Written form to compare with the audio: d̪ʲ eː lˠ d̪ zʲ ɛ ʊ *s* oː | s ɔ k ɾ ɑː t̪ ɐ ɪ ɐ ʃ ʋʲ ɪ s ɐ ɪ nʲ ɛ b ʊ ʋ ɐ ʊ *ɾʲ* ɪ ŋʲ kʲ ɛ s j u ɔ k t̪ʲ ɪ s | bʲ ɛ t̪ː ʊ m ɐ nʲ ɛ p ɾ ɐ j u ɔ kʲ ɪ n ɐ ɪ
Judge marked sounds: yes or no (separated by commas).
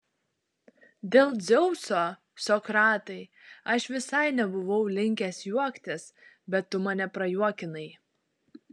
yes, no